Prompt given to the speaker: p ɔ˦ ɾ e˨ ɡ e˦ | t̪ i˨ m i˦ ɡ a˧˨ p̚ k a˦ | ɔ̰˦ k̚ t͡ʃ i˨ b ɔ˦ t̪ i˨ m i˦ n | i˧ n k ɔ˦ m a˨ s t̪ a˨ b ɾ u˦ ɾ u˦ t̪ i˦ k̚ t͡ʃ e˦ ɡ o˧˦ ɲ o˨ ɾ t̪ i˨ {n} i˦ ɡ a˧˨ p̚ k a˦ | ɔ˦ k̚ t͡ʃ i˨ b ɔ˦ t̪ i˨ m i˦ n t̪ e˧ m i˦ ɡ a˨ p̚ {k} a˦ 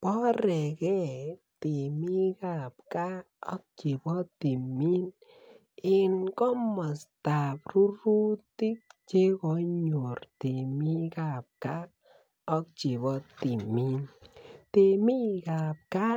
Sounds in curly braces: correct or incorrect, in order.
incorrect: m, correct

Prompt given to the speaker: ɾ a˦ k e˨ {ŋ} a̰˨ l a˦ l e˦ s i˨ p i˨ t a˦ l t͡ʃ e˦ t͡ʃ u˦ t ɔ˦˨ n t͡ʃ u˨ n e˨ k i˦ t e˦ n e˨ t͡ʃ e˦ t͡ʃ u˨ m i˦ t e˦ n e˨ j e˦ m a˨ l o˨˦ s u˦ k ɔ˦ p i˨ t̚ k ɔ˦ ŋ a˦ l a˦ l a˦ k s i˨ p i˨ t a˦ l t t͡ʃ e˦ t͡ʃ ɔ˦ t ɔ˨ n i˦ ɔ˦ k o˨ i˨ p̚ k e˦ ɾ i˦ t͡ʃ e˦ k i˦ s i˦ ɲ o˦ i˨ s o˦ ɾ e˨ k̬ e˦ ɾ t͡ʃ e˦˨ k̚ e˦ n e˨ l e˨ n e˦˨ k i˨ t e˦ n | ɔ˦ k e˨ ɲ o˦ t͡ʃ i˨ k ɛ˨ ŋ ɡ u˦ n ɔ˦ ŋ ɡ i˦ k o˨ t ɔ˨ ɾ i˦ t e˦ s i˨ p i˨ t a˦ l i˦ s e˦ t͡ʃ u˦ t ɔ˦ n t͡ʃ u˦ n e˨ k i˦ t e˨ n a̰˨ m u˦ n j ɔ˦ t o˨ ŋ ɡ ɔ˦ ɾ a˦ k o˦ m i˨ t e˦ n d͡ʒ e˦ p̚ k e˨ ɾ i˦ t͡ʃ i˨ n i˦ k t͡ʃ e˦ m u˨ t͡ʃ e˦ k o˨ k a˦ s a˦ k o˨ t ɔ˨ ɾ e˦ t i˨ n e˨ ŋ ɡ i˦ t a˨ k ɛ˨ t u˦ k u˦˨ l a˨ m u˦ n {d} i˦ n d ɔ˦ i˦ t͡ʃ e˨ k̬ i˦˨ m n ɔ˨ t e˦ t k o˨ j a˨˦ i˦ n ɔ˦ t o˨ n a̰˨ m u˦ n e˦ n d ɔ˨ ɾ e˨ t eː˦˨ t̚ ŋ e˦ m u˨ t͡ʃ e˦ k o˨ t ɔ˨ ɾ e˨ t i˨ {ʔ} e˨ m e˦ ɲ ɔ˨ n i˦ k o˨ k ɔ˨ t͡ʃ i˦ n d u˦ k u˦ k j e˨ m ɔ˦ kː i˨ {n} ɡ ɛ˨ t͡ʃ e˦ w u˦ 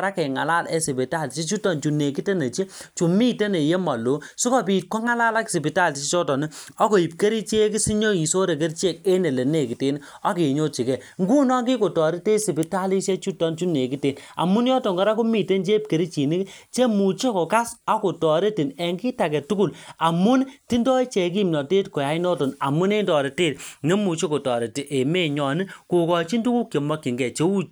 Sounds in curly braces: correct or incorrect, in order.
correct, incorrect: t, correct, incorrect: ŋ

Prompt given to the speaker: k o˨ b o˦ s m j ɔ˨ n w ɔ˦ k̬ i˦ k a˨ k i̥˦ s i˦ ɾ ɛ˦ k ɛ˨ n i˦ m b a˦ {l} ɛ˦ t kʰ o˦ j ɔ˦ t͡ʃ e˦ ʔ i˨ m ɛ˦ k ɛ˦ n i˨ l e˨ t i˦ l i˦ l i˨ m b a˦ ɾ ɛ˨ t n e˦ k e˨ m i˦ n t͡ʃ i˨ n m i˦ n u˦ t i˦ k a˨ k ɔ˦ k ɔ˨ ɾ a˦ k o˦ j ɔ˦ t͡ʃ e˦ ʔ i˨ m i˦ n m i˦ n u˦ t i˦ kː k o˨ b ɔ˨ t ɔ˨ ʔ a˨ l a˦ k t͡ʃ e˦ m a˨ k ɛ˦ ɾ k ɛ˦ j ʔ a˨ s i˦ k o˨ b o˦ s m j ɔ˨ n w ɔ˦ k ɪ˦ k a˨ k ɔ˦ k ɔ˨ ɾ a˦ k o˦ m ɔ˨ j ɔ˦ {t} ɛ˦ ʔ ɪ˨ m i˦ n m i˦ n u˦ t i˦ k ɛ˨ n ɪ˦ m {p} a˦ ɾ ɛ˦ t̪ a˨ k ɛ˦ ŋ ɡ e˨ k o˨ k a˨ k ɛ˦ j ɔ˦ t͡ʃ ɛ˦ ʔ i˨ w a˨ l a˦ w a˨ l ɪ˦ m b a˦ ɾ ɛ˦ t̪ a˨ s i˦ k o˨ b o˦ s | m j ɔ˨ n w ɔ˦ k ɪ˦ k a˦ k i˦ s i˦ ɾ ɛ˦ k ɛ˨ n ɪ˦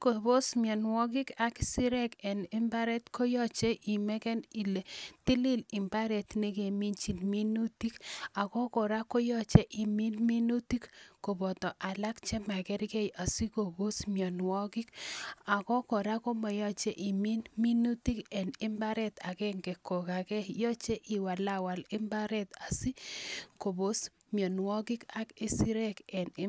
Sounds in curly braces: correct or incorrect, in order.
incorrect: ɾ, incorrect: t͡ʃ, incorrect: b

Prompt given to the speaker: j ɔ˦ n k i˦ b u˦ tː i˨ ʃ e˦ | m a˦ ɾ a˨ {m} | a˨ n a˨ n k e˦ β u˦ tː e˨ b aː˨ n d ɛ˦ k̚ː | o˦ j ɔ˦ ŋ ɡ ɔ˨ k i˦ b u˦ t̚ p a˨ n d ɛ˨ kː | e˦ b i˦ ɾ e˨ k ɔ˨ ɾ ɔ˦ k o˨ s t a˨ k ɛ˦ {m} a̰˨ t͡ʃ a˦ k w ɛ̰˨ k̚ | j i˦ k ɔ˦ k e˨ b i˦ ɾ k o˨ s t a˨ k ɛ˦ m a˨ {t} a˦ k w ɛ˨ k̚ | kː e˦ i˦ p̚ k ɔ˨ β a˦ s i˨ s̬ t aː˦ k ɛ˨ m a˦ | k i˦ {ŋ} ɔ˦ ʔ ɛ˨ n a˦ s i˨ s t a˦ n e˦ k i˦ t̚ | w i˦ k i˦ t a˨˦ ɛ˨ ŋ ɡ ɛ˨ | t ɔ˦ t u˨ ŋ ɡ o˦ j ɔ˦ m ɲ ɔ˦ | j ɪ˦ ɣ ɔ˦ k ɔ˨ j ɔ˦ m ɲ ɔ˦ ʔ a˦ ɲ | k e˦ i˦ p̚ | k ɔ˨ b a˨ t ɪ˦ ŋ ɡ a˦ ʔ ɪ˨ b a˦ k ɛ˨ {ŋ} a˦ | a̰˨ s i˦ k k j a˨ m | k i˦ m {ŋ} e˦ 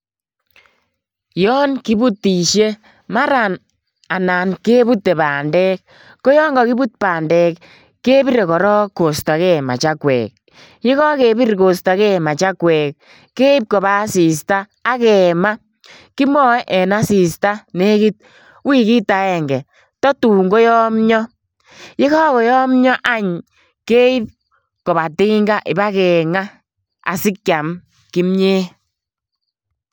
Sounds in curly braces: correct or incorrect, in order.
incorrect: n, correct, incorrect: t͡ʃ, incorrect: m, correct, incorrect: ɲ

